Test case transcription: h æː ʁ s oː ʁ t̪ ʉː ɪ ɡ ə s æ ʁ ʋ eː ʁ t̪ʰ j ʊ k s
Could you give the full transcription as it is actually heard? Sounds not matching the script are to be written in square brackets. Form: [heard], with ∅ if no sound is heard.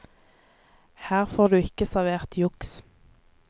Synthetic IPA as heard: h æː ʁ [f] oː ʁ [d̪] ʉː ɪ [k] ə s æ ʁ ʋ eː ʁ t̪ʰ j ʊ k s